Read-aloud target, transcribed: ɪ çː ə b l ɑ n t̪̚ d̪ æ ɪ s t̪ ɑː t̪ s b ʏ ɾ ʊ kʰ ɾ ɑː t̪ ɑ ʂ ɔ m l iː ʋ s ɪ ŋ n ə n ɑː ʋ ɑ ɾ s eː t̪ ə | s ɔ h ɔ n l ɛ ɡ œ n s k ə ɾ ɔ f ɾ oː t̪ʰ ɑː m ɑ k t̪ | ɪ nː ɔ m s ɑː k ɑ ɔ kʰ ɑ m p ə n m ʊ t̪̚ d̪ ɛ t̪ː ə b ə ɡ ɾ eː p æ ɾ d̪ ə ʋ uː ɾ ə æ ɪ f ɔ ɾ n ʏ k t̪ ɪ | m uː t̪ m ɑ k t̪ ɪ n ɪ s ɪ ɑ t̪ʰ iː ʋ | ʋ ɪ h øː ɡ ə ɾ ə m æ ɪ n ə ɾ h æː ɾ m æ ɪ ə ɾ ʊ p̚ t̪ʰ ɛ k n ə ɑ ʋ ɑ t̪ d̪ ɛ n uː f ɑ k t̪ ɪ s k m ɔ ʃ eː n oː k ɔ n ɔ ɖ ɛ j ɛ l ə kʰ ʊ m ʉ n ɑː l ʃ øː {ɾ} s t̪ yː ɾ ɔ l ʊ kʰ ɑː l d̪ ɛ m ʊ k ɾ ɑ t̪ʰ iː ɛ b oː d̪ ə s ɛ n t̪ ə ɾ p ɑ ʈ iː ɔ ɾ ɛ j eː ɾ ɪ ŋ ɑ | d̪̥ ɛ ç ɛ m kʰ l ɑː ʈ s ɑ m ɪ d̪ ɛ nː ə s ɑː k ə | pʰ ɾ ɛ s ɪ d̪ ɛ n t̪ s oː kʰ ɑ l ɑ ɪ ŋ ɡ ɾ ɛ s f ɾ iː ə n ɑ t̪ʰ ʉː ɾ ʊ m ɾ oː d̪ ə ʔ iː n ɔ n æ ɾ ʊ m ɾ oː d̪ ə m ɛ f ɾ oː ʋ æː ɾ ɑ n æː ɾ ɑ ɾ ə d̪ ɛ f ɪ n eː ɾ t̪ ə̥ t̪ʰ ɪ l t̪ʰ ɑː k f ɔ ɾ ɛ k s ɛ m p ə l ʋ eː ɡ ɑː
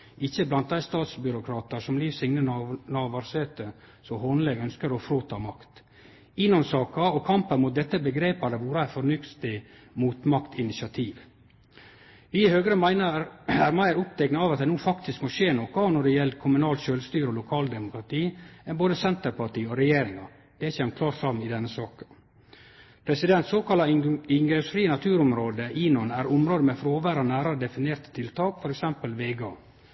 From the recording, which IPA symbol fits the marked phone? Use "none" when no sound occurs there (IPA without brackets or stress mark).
l